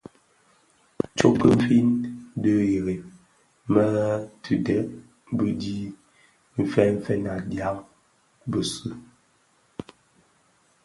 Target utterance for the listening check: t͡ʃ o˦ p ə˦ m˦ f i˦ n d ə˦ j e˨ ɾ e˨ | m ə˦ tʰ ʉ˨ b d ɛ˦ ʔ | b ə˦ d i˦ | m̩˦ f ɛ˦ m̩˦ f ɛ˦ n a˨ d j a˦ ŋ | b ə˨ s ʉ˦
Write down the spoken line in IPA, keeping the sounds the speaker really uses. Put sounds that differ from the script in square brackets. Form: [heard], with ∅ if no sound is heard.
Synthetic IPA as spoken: t͡ʃ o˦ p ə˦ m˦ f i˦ n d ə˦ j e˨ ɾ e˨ | m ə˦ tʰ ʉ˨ [∅] d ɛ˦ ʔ | b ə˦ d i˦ | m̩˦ f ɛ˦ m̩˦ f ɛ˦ n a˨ d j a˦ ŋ | b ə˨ s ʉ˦